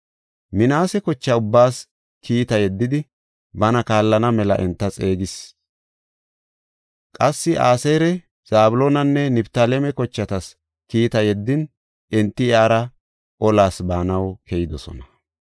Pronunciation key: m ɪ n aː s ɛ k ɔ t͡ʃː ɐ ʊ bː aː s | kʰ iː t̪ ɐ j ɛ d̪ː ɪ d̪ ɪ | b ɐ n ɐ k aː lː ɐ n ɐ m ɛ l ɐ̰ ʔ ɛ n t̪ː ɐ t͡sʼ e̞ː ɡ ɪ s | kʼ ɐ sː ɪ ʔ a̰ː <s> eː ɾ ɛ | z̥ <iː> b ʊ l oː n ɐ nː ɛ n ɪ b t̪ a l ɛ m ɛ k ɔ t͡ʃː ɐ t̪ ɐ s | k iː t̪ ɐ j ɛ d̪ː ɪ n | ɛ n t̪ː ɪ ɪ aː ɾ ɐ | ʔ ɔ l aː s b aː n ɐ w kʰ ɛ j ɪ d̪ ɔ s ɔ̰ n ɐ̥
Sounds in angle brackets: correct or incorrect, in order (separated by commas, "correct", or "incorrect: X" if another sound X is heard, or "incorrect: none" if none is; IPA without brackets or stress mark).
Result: correct, incorrect: aː